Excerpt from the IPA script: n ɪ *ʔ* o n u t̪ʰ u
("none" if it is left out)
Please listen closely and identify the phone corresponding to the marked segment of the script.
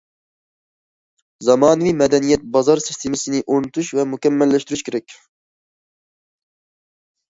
ʔ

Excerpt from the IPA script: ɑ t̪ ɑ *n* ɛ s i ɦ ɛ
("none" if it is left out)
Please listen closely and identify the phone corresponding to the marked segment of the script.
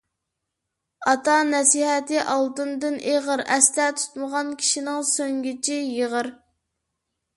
n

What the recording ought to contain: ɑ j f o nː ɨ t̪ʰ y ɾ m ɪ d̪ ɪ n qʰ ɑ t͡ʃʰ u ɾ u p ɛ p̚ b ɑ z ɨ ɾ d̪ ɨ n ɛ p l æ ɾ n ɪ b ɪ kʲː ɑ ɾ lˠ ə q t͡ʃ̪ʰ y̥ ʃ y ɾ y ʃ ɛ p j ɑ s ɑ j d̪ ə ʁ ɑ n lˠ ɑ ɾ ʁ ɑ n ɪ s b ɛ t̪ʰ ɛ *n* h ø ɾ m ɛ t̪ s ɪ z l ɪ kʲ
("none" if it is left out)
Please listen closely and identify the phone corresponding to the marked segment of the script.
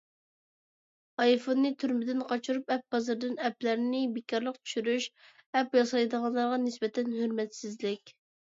n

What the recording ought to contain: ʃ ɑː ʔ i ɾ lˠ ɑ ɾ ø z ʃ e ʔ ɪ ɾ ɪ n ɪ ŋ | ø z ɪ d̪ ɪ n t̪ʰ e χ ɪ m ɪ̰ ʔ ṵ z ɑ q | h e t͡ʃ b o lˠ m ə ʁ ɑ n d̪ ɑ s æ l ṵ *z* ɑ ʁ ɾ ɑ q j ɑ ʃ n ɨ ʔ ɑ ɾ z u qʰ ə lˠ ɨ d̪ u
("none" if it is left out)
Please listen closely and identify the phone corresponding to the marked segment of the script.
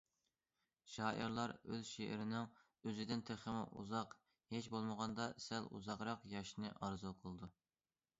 z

